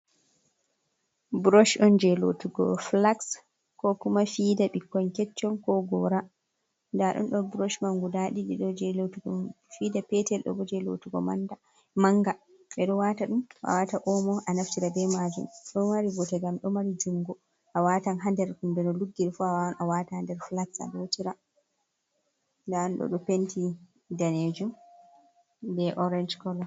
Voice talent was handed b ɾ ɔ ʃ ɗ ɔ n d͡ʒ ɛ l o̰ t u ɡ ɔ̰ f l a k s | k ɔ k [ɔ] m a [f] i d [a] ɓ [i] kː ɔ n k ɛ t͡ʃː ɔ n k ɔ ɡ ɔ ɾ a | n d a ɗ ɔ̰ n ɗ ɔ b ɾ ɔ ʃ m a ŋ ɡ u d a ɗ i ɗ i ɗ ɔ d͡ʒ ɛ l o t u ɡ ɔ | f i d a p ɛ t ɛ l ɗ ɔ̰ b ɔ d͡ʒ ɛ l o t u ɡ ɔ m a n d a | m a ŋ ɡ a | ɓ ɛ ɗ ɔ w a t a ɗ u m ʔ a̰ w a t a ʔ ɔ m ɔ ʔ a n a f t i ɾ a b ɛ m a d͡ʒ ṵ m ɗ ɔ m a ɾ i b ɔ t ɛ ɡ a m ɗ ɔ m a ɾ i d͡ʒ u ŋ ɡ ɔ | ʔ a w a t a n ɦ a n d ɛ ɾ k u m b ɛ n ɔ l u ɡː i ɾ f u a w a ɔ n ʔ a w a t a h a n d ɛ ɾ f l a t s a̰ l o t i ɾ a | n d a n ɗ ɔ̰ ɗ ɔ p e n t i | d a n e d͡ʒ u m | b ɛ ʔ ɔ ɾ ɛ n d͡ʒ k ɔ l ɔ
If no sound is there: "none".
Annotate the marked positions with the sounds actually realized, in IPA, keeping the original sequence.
u, f, a, i

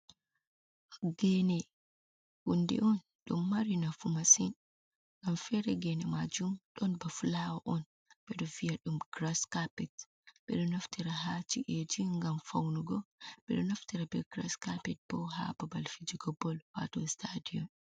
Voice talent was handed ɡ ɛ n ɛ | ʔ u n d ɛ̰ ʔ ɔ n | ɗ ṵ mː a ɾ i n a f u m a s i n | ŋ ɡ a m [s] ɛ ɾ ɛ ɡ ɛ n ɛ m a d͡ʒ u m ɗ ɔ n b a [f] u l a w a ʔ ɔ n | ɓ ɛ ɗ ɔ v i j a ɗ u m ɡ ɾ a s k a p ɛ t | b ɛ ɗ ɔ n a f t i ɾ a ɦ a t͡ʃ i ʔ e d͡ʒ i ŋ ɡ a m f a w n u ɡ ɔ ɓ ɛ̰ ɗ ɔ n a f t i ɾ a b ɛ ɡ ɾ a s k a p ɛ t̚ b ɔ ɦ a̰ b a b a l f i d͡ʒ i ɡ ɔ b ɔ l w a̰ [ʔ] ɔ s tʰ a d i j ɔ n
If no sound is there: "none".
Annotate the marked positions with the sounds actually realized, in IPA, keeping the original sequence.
f, f, t

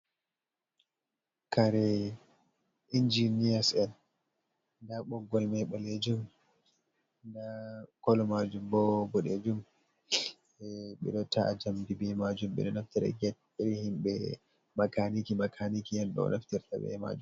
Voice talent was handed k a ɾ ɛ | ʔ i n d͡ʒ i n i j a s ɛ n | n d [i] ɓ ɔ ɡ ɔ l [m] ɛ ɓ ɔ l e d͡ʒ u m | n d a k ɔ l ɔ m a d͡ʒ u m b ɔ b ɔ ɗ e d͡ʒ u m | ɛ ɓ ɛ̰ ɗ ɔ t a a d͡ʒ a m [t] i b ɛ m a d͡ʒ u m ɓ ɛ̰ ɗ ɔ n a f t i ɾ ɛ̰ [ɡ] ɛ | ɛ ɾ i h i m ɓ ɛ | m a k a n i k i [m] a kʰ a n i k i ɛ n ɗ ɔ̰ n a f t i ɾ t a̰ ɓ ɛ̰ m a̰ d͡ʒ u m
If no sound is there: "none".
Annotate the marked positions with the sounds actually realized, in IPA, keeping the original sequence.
a, m, d, ɡ, m

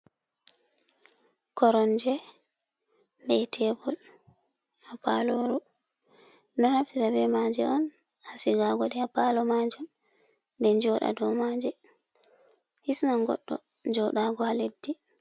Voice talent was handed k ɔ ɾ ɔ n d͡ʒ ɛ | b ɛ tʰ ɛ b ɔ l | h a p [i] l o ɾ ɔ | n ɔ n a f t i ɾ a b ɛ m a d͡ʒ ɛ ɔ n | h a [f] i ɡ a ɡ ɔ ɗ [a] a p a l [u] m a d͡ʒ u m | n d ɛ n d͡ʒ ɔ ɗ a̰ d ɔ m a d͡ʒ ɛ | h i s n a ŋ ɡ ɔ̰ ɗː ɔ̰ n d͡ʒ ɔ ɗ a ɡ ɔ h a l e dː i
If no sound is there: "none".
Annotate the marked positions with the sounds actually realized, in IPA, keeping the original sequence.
a, s, ɛ, ɔ

